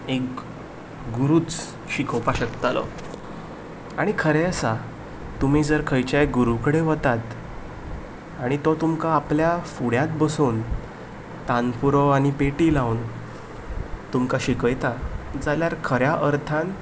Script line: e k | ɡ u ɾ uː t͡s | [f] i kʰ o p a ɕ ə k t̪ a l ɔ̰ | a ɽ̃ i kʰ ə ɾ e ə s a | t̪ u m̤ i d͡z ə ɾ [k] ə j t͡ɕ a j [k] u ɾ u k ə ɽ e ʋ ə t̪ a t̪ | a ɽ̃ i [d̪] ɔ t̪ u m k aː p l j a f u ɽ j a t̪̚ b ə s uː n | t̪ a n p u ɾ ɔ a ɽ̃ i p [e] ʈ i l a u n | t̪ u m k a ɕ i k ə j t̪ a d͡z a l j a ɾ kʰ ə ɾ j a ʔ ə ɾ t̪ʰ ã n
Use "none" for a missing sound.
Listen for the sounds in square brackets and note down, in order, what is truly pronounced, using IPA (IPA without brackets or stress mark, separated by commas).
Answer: ɕ, kʰ, ɡ, t̪, e